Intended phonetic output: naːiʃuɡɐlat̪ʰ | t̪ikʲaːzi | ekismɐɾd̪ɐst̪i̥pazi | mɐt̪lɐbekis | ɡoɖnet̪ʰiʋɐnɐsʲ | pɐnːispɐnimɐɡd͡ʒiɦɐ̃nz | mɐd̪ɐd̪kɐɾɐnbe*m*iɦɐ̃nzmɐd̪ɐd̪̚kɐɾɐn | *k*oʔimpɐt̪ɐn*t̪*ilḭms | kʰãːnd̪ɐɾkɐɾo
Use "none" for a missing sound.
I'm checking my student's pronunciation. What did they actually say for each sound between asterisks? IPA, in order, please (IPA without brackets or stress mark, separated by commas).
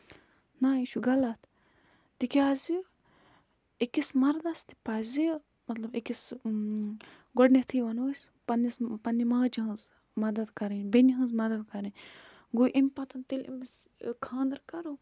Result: n, ɡ, t̪